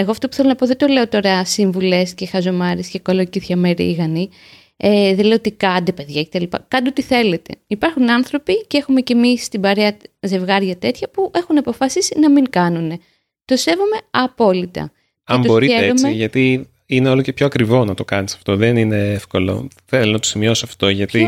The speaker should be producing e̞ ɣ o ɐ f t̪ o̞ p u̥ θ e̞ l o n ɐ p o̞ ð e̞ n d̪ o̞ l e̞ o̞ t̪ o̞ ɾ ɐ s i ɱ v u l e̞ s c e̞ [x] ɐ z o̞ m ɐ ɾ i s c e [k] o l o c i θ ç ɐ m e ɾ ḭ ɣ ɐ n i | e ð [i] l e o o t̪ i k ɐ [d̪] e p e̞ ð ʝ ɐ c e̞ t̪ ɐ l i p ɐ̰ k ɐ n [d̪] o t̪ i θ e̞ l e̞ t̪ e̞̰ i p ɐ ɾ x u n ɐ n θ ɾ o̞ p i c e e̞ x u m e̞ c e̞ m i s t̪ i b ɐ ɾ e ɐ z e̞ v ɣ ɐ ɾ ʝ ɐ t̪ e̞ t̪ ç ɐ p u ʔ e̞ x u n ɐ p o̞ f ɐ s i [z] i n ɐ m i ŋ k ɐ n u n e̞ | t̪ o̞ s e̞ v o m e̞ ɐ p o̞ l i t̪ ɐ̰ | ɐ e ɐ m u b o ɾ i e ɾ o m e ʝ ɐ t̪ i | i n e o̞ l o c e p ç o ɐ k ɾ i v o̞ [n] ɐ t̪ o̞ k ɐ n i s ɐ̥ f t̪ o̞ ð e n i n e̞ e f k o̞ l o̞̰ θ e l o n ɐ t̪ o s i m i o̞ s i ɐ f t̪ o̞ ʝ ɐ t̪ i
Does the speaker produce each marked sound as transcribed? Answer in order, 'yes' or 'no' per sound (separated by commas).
yes, yes, no, yes, yes, no, yes